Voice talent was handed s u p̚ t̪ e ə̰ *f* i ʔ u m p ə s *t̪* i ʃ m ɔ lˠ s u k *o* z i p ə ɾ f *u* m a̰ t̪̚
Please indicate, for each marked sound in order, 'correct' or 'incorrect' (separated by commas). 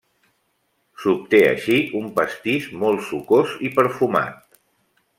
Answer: incorrect, correct, correct, correct